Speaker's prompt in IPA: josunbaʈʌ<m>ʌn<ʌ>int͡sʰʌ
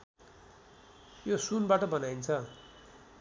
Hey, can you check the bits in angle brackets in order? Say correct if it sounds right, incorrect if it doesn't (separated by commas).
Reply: incorrect, incorrect